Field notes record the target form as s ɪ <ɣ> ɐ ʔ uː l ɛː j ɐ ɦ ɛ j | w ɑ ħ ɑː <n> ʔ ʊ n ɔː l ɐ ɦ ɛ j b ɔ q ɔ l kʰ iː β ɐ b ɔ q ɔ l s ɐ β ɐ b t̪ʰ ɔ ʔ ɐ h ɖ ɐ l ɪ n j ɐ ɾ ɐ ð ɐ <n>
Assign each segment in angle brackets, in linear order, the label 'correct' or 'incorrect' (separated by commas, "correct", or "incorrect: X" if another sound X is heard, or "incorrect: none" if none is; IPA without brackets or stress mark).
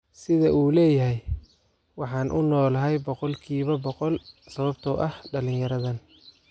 incorrect: ð, correct, correct